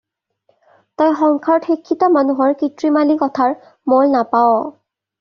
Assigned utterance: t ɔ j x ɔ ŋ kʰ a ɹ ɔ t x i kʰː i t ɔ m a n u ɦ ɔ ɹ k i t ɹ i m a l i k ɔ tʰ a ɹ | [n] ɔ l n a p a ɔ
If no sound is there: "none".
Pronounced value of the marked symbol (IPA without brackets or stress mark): m